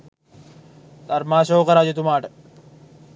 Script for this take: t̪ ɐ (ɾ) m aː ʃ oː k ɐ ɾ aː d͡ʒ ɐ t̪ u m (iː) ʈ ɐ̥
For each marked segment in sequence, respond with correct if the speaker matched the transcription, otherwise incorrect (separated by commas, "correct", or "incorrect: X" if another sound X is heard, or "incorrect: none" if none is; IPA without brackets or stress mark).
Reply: correct, incorrect: aː